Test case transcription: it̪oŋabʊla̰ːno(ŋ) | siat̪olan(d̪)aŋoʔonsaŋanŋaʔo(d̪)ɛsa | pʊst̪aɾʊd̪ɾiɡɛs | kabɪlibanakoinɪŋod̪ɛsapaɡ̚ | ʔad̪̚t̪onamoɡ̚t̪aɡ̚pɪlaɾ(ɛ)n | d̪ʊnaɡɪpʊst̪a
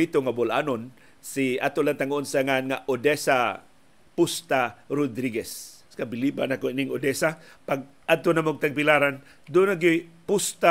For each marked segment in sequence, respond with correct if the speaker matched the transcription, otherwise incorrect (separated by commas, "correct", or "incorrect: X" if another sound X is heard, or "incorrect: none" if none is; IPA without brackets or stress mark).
incorrect: n, incorrect: t̪, correct, incorrect: a